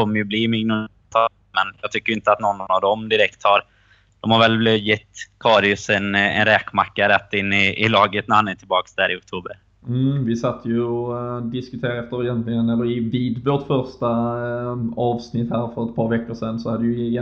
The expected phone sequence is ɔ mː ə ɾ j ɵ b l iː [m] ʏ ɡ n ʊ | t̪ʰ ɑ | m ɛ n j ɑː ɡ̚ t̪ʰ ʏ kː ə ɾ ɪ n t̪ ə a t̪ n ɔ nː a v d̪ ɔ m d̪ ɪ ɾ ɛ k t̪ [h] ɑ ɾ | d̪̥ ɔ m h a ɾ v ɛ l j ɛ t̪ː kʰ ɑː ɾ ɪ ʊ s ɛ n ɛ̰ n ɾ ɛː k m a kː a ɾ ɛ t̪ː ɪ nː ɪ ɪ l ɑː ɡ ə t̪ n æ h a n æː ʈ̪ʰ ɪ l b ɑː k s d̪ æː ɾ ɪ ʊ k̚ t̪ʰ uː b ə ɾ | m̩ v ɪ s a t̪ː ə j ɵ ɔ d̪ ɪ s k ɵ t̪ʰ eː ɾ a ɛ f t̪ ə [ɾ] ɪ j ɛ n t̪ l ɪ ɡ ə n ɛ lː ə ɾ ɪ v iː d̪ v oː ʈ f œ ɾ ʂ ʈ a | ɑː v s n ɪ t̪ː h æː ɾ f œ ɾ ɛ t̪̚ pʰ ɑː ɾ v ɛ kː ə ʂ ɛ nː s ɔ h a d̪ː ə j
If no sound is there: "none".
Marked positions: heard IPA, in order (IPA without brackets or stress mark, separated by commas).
m, h, ɾ